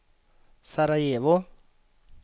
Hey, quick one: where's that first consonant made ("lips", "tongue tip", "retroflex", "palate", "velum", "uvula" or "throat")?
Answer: tongue tip